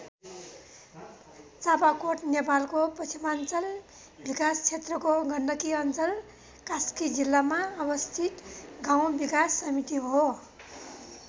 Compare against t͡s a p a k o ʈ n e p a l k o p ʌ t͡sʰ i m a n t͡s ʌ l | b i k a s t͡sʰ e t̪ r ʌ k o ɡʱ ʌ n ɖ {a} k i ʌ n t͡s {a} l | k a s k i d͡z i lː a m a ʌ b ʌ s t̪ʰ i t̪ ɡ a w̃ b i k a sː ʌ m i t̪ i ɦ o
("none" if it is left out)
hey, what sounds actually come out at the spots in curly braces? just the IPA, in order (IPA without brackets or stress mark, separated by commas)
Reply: ʌ, ʌ